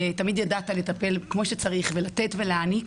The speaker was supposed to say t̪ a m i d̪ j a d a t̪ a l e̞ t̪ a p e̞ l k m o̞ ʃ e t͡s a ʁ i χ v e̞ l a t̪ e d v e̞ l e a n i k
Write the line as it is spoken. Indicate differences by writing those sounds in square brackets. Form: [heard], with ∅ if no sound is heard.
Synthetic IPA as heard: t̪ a m i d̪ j a d a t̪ a l e̞ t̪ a p e̞ l k m o̞ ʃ e t͡s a ʁ i χ v e̞ l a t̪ e [t] v e̞ l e a n i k